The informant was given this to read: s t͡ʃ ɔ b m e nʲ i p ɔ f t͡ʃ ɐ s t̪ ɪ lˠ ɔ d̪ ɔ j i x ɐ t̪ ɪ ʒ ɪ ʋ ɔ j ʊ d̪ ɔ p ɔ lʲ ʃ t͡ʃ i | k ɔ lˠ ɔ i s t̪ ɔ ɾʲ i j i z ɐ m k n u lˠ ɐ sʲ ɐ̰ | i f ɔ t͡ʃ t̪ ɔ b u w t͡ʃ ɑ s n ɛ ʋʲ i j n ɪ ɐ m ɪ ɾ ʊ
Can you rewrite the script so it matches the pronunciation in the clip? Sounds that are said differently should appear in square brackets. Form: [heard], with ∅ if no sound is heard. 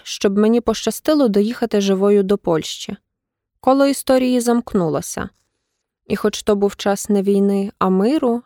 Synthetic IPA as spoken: [ʃ] t͡ʃ ɔ b m e nʲ i p ɔ [ʃ] t͡ʃ ɐ s t̪ ɪ lˠ ɔ d̪ ɔ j i x ɐ t̪ ɪ ʒ ɪ ʋ ɔ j ʊ d̪ ɔ p ɔ lʲ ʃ t͡ʃ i | k ɔ lˠ ɔ i s t̪ ɔ ɾʲ i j i z ɐ m k n u lˠ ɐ sʲ ɐ̰ | i [x] ɔ t͡ʃ t̪ ɔ b u w t͡ʃ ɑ s n ɛ ʋʲ i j n ɪ ɐ m ɪ ɾ ʊ